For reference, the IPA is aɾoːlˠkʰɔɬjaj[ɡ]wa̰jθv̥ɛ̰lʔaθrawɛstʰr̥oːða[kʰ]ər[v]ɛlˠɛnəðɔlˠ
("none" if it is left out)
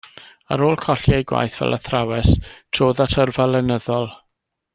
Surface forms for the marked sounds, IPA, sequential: ɡ, tʰ, v

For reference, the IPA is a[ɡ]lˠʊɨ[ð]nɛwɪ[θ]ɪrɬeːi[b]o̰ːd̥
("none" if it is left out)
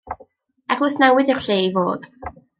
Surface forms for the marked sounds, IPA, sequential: ɡ, θ, ð, v

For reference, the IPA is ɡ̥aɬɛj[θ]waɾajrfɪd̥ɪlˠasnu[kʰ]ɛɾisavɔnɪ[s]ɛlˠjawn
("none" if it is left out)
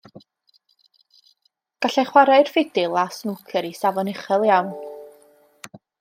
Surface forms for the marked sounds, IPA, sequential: χ, kʰ, χ

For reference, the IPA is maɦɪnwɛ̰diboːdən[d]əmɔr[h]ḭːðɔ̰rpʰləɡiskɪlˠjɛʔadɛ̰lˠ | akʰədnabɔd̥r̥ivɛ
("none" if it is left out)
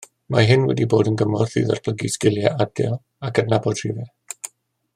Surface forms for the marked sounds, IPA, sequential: ɡ, θ

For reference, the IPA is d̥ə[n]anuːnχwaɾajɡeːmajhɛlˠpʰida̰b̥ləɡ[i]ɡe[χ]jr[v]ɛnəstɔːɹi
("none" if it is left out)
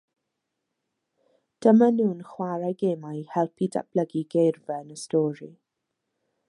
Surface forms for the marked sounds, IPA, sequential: m, i, none, v

